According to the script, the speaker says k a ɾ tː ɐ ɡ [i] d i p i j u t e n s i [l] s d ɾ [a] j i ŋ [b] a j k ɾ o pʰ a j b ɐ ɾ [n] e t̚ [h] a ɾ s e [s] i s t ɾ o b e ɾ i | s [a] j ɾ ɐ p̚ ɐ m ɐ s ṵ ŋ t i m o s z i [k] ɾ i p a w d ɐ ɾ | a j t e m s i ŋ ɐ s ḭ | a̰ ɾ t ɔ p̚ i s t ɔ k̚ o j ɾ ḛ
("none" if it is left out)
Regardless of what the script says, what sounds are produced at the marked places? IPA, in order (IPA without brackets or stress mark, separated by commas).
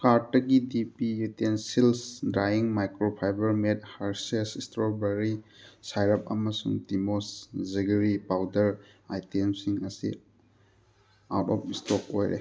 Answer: i, l, a, m, m, h, s, a, ɡ